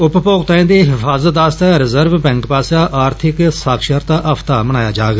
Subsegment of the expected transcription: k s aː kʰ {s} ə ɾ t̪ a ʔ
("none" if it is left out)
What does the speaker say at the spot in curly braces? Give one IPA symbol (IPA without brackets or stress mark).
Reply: ʃ